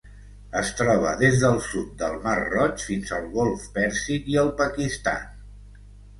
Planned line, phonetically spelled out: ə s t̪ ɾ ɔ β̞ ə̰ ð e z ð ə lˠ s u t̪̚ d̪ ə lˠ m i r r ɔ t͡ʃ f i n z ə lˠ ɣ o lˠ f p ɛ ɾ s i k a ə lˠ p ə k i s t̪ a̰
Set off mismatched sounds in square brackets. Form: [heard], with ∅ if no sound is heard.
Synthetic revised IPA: ə s t̪ ɾ ɔ β̞ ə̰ ð e z ð ə lˠ s u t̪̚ d̪ ə lˠ m [a] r r ɔ t͡ʃ f i n z ə lˠ ɣ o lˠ f p ɛ ɾ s i k [i] ə lˠ p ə k i s t̪ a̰